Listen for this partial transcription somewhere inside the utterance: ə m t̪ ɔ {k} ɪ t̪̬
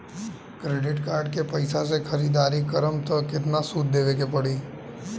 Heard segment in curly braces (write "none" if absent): k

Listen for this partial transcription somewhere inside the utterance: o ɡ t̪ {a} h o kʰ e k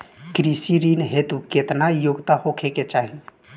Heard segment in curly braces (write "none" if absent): a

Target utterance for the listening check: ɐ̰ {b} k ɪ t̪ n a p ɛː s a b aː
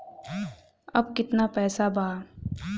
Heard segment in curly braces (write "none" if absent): b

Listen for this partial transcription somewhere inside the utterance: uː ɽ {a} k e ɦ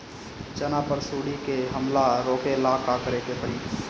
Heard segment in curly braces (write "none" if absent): i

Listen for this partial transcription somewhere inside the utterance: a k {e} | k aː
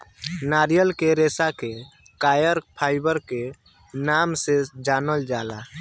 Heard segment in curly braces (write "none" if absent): e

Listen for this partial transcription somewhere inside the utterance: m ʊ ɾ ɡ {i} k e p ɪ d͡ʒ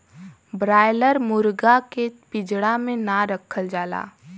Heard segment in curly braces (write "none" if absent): a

